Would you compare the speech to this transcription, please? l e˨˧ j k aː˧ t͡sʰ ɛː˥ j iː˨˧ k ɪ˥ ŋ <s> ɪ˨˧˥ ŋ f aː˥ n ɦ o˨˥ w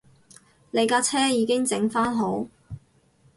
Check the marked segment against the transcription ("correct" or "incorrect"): incorrect